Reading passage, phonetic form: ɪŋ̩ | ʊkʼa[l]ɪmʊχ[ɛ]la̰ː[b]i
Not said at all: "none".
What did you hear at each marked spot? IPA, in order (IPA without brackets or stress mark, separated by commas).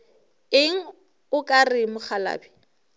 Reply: r, a, b